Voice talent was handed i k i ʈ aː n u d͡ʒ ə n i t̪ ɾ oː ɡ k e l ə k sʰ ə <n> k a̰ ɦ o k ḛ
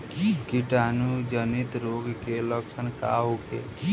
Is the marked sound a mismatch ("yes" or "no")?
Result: no